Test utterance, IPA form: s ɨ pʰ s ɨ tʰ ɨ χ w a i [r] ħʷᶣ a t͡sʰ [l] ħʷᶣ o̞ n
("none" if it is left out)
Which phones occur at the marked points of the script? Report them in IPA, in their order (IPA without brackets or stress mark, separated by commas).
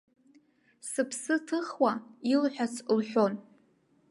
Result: l, l